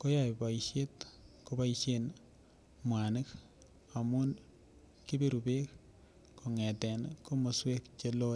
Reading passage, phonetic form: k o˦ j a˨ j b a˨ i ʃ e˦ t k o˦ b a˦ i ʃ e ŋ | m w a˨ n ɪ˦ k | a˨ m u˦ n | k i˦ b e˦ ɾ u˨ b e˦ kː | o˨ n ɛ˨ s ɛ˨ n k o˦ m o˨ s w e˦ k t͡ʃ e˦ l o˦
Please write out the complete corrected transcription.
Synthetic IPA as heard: k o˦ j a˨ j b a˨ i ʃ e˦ t k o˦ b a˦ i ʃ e n | m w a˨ n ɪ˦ k | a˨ m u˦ n | k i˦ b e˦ ɾ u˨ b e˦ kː | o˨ ŋ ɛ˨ t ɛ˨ n k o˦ m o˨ s w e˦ k t͡ʃ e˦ l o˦